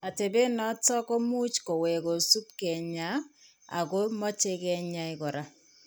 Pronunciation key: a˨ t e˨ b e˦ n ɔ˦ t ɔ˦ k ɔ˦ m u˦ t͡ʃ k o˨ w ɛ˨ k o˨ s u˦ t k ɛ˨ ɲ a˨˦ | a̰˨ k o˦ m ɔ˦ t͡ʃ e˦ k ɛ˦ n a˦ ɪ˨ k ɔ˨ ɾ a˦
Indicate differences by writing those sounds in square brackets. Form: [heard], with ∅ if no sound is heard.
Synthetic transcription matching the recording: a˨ t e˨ b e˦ n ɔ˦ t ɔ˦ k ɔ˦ m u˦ t͡ʃ k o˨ w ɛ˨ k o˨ s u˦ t k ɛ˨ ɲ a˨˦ | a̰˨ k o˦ m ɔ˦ t͡ʃ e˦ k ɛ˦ [ɲ] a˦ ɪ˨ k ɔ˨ ɾ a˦

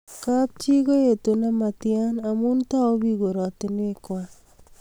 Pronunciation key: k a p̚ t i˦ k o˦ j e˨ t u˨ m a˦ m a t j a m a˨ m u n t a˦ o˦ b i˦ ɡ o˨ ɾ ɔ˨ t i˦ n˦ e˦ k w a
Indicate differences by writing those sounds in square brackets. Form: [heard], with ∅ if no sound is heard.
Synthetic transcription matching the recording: k a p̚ [t͡ʃ] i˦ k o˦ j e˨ t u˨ [n] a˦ m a t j a [n] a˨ m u n t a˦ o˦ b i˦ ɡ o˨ ɾ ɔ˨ t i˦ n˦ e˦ k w a

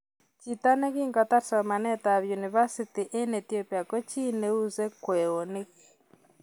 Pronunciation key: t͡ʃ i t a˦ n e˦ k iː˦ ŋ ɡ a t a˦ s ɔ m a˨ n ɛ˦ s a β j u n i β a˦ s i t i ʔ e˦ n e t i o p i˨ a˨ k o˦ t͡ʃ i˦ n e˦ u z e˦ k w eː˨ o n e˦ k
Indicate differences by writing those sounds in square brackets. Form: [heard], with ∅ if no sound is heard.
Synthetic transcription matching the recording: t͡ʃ i t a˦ n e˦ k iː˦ ŋ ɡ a t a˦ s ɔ m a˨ n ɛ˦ [t] a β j u n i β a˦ s i t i ʔ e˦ n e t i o p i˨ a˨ k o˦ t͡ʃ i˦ n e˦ u z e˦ k w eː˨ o n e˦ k

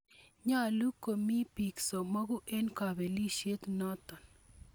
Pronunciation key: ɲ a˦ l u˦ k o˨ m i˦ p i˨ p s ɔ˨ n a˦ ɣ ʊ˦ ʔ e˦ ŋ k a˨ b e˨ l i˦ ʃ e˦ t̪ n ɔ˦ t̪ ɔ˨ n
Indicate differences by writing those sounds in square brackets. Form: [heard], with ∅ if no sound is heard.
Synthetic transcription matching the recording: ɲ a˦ l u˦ k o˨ m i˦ p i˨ [k] s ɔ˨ [m] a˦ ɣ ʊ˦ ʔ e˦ [n] k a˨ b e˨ l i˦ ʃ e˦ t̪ n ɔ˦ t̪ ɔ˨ n

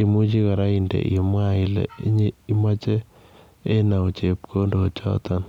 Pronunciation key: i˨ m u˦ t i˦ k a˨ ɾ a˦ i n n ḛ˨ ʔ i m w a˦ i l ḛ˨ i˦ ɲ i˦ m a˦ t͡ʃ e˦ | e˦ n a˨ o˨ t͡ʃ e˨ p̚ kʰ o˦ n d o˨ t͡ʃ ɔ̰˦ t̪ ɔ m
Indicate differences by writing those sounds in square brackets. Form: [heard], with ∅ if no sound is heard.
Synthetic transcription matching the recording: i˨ m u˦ [t͡ʃ] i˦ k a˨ ɾ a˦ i n [d] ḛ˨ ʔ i m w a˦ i l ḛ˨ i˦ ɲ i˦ m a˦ t͡ʃ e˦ | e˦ n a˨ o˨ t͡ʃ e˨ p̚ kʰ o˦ n d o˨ t͡ʃ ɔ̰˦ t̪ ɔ [n]

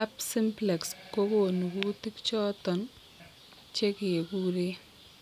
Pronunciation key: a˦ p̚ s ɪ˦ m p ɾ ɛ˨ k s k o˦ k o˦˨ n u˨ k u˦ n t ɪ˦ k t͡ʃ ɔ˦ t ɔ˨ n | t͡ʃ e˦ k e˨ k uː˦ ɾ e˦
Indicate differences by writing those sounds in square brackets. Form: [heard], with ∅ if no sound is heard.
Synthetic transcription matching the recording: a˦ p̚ s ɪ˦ m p [l] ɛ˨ k s k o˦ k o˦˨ n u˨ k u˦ [∅] t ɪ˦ k t͡ʃ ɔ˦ t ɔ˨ n | t͡ʃ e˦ k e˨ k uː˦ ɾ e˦

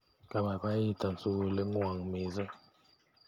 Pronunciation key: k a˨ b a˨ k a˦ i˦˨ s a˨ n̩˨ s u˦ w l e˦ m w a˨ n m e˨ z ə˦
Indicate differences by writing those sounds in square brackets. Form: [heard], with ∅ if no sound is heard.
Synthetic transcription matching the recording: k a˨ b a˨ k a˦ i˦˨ [t] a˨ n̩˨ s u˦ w l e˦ [ŋ] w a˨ [ŋ] m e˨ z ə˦

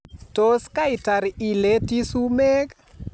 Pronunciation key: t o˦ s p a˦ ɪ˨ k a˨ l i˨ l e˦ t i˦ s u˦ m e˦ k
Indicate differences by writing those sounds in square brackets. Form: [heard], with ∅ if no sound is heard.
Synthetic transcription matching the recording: t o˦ s [k] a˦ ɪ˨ [t] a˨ [ɾ] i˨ l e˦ t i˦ s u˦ m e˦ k

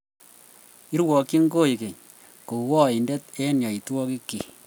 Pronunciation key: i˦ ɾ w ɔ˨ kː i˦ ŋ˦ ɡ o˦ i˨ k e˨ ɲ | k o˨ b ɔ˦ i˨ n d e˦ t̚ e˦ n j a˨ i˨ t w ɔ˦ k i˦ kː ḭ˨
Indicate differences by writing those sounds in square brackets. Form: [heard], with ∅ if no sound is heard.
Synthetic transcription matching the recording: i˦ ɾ w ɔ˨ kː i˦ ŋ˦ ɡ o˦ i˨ k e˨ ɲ | k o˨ [w] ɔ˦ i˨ n d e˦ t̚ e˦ n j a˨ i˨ t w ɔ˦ k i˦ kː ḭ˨

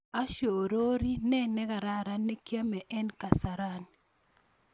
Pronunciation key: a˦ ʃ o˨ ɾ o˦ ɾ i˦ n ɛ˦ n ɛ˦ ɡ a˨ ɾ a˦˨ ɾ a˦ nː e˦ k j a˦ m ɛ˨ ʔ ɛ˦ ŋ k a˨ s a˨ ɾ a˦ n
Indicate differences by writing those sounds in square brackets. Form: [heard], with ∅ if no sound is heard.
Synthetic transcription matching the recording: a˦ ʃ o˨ ɾ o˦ ɾ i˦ n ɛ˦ n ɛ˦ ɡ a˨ ɾ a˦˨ ɾ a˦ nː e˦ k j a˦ m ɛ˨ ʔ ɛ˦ [n] k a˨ s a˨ ɾ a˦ n

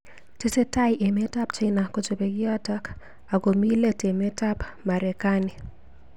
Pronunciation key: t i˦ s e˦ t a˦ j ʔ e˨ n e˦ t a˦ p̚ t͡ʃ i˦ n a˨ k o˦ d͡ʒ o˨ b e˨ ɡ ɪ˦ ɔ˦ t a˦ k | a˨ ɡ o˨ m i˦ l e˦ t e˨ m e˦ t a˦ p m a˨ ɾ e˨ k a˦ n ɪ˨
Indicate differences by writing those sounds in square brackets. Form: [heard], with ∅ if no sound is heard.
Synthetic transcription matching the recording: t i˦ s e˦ t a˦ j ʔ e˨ [m] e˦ t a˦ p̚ t͡ʃ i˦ n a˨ k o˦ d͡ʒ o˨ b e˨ ɡ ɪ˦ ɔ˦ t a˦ k | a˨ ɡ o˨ m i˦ l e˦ t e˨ m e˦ t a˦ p m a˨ ɾ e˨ k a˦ n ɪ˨

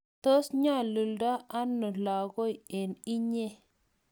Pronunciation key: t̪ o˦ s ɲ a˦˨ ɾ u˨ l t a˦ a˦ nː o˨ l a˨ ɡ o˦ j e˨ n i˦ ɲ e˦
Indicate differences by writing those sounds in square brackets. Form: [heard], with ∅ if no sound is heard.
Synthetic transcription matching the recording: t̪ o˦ s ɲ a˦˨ [l] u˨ l [d] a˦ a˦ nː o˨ l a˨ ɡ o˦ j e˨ n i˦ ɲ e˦

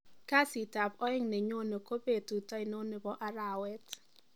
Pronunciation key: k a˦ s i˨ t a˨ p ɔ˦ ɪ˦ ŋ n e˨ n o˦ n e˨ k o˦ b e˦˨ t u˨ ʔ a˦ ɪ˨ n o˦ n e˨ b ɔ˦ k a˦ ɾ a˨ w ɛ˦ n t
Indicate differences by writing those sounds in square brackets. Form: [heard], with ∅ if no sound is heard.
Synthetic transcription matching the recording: k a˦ s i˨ t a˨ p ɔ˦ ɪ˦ ŋ n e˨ [ɲ] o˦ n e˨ k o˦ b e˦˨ t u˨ [t] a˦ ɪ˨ n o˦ n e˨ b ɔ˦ [ʔ] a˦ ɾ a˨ w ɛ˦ [∅] t

